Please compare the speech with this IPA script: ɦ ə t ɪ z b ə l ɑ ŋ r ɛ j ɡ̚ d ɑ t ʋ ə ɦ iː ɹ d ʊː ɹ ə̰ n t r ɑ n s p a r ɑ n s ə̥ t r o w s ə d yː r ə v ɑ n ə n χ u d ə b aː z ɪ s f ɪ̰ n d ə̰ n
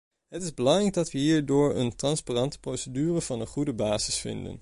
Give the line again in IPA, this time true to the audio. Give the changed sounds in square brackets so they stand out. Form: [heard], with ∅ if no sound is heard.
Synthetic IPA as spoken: ɦ ə t ɪ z b ə l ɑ ŋ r ɛ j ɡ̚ d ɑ t ʋ ə ɦ iː ɹ d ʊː ɹ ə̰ n t r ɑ n s p a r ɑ n [t] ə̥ [p] r o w s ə d yː r ə v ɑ n ə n χ u d ə b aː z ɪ s f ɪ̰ n d ə̰ n